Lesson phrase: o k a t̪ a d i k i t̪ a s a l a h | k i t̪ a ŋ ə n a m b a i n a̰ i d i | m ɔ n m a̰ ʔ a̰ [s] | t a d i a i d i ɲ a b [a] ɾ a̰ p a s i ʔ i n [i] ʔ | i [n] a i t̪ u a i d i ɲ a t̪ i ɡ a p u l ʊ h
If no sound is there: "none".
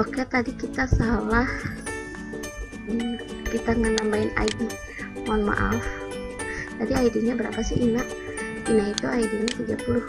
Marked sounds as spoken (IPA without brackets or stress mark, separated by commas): f, ə, a, n